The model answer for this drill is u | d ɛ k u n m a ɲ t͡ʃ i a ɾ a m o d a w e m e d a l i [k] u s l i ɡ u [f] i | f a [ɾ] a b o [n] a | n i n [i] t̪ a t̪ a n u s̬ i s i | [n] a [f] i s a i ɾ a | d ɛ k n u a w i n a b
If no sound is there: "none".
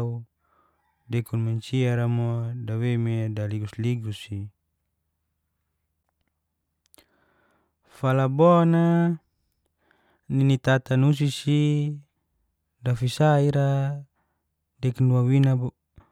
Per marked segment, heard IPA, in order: ɡ, s, l, n, i, d, f

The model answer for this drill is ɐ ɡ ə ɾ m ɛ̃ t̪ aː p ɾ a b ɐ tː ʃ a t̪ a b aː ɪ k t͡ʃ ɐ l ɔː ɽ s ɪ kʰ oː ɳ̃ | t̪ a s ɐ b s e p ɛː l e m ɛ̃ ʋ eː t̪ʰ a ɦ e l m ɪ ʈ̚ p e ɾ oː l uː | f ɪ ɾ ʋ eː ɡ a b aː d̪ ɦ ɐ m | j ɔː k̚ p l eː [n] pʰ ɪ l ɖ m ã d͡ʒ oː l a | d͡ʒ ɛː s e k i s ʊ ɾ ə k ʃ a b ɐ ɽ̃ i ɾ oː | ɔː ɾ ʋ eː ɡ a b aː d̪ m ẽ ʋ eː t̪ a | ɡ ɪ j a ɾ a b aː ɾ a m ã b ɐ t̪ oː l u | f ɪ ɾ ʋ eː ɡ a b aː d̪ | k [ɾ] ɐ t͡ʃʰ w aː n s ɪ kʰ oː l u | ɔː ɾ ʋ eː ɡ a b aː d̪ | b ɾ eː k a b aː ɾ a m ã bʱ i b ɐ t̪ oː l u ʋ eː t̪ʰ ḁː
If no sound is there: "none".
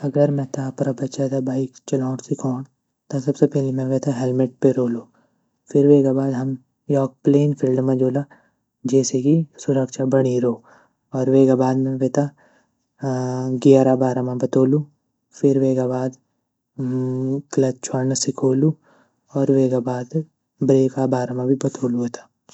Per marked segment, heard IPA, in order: n, l

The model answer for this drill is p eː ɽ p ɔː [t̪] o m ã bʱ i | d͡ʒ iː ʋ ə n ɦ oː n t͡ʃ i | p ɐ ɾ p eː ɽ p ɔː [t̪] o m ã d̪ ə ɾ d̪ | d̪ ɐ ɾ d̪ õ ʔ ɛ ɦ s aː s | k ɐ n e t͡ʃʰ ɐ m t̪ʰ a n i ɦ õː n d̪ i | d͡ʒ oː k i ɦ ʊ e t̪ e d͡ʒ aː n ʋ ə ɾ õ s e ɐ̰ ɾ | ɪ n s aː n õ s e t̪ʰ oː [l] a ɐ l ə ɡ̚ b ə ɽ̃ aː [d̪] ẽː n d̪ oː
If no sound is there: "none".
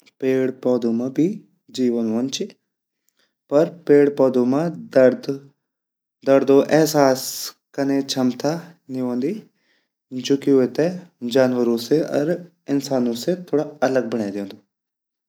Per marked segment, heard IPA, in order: d̪, d̪, ɽ, d̪

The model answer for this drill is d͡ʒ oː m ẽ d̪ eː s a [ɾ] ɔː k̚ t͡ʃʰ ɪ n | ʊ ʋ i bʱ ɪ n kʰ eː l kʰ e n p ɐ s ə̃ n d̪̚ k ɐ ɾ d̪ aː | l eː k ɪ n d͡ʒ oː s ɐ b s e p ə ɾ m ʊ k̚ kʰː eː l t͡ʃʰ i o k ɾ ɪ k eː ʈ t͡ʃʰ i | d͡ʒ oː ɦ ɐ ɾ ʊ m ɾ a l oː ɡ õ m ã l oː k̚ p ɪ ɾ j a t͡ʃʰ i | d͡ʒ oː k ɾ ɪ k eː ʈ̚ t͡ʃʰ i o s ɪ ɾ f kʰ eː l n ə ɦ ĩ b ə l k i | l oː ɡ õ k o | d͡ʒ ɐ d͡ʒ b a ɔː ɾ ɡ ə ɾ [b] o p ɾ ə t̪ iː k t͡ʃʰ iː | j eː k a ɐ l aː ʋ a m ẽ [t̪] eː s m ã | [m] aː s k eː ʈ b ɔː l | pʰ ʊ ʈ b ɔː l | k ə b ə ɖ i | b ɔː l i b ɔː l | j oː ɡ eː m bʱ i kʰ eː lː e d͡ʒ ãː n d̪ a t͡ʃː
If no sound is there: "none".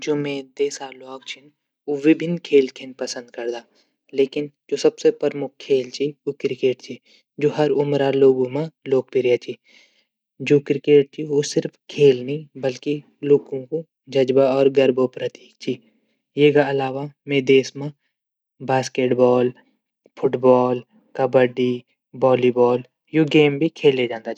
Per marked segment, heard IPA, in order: l, b, d̪, b

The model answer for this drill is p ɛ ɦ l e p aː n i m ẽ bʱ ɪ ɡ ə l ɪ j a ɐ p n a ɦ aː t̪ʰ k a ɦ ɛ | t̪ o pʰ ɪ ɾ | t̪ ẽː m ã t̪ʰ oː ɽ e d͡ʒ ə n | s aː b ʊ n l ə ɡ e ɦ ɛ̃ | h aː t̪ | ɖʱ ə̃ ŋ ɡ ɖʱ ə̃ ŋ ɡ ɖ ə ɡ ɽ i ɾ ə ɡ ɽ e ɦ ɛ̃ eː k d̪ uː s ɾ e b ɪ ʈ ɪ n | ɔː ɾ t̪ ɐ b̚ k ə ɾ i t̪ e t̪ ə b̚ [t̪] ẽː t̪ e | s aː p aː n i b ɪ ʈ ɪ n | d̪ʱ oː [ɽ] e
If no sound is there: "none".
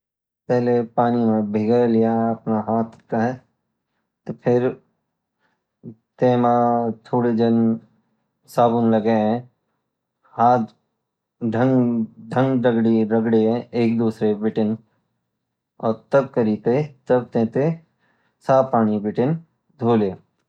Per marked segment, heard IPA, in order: t̪, l

